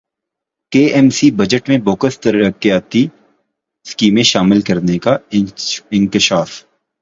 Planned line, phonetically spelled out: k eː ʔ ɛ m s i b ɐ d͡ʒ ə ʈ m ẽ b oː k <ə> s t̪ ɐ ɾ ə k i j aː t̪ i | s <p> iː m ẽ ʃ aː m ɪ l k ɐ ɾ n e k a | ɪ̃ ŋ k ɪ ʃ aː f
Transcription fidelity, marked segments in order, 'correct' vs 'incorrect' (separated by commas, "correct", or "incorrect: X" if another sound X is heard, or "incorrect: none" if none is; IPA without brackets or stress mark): correct, incorrect: k